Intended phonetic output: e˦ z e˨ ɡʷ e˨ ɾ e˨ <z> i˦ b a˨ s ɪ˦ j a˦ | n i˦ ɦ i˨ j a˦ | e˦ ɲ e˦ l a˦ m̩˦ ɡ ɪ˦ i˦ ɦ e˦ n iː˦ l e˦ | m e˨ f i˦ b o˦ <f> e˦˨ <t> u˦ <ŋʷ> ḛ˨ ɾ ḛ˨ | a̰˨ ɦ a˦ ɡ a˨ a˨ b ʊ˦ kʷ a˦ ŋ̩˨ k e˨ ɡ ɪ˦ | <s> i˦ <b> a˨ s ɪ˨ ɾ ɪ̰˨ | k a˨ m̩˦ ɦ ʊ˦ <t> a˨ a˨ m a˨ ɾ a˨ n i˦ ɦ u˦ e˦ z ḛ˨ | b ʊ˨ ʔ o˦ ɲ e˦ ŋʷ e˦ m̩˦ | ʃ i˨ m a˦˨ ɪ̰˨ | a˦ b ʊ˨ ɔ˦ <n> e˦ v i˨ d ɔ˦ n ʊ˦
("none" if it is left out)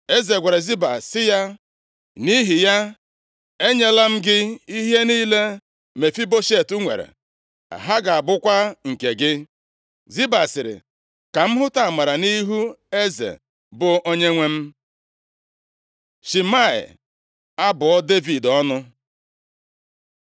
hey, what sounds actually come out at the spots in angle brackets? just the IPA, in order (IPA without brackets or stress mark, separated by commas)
z, ʃ, t, ŋʷ, z, b, t, d